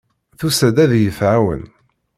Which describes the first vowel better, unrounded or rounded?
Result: rounded